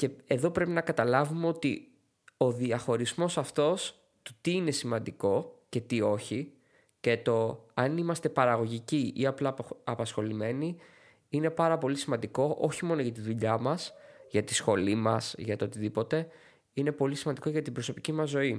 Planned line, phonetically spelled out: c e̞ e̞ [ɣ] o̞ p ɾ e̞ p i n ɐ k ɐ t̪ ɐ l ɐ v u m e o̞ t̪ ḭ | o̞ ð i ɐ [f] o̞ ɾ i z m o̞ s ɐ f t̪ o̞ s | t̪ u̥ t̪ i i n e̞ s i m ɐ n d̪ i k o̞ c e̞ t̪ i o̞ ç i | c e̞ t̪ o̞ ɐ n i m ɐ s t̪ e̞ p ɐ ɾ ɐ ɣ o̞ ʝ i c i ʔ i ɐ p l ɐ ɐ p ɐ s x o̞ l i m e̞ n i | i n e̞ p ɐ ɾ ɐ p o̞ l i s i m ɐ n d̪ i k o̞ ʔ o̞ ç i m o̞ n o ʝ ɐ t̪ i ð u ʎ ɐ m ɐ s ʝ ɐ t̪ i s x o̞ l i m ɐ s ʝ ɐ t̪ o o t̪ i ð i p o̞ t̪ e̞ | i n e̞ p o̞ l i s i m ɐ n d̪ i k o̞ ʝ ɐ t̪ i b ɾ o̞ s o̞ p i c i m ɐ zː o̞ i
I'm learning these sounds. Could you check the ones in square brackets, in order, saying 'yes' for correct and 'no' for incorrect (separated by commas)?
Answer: no, no